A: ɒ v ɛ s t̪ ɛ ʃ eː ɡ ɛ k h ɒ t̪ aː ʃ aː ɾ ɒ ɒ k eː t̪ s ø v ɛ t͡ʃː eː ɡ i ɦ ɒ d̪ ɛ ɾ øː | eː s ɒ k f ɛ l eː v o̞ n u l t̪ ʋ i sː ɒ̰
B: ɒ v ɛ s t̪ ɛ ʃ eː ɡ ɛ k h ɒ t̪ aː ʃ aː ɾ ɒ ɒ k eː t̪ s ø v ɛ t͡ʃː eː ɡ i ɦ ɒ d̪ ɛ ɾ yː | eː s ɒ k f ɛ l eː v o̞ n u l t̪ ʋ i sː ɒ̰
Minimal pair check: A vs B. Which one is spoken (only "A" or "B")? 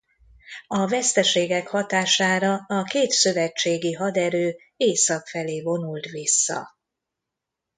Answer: A